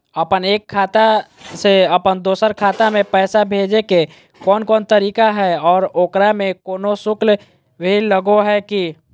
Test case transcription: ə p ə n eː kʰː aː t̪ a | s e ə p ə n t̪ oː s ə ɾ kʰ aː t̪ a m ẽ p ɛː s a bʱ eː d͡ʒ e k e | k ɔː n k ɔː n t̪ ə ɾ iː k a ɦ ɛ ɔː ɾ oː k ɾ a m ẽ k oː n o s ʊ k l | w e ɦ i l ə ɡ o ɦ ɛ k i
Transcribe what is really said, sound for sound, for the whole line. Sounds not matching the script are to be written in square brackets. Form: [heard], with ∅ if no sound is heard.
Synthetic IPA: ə p ə n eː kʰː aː t̪ a | s e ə p ə n [d̪] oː s ə ɾ kʰ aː t̪ a m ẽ p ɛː s a bʱ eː d͡ʒ e k e | k ɔː n k ɔː n t̪ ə ɾ iː k a ɦ ɛ ɔː ɾ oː k ɾ a m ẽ k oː n o s ʊ k l | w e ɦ i l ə ɡ o ɦ ɛ k i